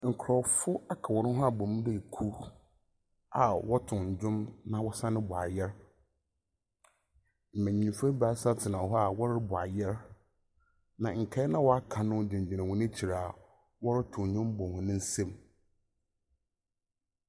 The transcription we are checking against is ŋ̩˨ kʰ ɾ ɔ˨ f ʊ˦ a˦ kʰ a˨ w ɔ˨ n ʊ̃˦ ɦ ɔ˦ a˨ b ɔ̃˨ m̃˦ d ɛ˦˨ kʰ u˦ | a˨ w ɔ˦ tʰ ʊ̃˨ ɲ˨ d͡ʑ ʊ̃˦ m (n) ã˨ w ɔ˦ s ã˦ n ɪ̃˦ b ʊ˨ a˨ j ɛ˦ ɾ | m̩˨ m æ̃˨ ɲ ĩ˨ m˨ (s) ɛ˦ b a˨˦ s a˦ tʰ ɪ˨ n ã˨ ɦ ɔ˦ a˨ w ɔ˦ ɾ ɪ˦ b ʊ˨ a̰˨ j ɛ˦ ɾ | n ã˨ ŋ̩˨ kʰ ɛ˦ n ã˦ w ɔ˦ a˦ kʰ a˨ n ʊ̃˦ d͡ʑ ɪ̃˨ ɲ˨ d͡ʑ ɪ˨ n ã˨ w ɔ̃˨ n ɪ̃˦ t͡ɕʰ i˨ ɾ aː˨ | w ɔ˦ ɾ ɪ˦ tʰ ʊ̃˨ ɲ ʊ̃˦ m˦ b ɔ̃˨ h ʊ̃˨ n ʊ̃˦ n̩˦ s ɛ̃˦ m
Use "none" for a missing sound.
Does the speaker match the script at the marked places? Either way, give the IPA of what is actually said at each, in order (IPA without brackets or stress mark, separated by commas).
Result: n, f